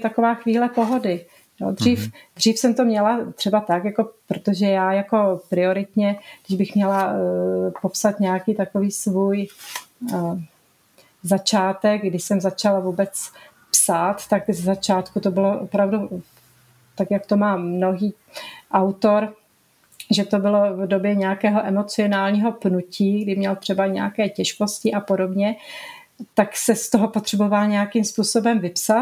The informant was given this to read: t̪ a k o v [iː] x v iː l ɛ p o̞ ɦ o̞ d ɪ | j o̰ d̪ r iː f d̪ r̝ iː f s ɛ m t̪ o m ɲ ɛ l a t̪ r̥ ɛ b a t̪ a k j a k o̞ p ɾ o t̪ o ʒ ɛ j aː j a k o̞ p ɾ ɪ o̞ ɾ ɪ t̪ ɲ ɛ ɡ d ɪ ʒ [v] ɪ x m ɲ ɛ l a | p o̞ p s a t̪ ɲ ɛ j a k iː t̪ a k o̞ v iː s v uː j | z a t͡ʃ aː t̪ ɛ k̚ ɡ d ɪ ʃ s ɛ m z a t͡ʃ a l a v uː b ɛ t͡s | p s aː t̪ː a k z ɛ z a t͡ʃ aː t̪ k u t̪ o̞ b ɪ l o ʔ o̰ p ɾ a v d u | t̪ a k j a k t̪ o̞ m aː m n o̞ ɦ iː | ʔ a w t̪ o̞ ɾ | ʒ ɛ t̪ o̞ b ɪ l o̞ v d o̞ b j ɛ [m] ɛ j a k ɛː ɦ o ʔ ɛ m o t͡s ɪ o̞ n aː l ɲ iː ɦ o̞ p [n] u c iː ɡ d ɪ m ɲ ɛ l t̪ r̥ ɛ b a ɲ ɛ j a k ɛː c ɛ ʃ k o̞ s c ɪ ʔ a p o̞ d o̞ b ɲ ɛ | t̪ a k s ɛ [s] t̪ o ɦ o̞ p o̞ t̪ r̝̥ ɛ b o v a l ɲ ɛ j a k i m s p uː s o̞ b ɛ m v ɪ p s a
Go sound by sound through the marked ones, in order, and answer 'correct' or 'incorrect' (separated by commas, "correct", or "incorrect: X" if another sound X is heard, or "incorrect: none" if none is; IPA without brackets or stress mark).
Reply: incorrect: aː, incorrect: b, incorrect: ɲ, correct, correct